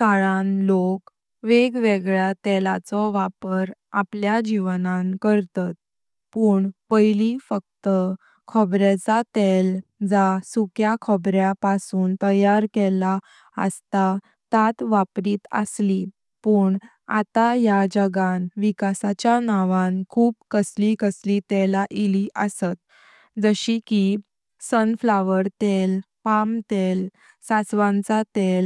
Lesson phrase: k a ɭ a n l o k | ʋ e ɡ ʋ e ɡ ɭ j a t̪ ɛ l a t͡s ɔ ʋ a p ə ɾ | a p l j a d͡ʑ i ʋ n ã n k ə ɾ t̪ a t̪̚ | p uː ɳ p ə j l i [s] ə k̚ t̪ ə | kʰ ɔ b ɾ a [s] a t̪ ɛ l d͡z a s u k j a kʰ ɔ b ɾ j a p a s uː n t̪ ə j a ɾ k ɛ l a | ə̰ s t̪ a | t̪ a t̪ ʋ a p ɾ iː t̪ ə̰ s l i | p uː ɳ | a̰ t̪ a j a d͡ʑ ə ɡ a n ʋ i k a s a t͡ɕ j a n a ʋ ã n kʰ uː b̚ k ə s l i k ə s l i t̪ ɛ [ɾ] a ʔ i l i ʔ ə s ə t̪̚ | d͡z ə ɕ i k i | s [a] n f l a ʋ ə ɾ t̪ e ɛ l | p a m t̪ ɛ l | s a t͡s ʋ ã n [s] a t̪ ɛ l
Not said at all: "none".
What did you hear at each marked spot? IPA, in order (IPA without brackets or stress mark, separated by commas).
f, t͡s, l, ə, t͡s